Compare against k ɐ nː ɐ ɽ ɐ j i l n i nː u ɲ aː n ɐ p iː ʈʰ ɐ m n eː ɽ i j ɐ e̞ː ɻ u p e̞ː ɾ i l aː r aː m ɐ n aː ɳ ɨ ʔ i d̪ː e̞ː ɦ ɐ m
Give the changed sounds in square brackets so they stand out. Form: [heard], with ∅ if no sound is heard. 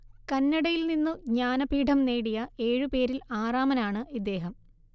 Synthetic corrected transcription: k ɐ nː ɐ ɽ ɐ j i l n i nː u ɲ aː n ɐ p iː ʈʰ ɐ m n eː ɽ i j ɐ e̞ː ɻ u p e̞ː ɾ i l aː r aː m ɐ n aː ɳ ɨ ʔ i d̪ː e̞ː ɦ ɐ m